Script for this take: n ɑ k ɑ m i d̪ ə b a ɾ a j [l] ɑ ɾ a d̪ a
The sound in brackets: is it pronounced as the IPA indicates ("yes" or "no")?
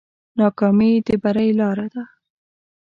yes